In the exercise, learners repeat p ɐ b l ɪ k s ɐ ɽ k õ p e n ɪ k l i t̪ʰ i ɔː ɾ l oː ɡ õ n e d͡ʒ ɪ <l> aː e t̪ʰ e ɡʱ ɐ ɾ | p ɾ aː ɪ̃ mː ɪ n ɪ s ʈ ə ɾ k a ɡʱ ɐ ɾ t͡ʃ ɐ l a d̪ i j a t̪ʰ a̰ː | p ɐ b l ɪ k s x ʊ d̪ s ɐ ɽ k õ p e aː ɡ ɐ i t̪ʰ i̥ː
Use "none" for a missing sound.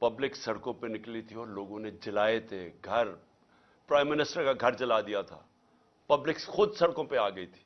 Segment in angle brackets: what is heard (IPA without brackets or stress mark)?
l